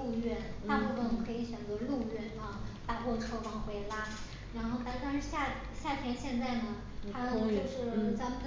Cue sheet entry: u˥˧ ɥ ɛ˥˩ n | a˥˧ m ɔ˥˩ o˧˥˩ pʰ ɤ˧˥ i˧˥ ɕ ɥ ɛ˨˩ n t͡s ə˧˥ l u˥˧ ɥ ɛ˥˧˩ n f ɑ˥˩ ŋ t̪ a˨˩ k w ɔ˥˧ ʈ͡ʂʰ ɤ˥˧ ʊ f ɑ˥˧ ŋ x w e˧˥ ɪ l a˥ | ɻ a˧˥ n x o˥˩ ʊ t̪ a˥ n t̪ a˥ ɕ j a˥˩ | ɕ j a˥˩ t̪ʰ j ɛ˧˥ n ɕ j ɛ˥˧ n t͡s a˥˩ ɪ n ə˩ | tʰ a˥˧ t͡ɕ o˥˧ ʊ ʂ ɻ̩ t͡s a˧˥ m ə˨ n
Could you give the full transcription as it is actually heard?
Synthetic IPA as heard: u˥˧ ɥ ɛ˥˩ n | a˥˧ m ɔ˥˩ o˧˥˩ kʰ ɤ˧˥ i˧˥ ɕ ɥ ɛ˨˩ n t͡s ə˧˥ l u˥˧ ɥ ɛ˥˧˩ n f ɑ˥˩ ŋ t̪ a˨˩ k w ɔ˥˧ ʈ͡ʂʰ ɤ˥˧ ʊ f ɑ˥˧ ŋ x w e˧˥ ɪ l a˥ | ɻ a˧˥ n x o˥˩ ʊ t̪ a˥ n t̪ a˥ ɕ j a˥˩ | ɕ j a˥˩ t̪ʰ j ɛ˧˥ n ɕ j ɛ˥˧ n t͡s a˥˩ ɪ n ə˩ | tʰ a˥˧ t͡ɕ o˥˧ ʊ ʂ ɻ̩ t͡s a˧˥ m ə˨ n